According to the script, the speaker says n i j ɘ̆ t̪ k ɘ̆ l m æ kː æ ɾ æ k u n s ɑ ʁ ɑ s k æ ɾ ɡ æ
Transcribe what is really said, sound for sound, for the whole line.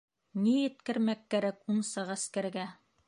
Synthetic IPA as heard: n i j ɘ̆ t̪ k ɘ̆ ɾ m æ kː æ ɾ æ k u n s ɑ ʁ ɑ s k æ ɾ ɡ æ